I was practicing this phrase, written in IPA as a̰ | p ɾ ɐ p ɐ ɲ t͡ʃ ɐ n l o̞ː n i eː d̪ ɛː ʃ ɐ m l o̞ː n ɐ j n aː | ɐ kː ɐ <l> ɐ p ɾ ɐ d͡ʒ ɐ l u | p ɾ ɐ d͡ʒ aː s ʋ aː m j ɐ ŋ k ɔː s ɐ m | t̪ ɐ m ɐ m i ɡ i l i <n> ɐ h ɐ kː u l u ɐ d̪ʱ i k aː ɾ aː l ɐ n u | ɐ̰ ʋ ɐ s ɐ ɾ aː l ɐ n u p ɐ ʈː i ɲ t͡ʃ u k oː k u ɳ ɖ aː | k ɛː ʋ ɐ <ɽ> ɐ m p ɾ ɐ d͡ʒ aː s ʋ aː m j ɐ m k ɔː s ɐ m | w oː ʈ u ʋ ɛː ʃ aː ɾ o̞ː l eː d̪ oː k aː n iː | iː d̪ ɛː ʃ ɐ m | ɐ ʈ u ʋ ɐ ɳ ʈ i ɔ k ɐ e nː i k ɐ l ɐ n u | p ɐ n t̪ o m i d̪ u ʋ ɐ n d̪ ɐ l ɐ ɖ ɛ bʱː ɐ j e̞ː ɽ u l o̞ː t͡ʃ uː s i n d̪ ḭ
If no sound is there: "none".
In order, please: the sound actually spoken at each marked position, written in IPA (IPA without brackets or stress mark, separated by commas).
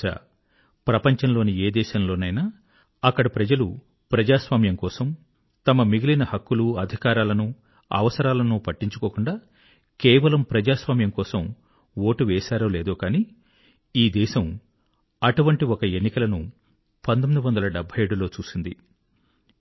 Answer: ɽ, n, l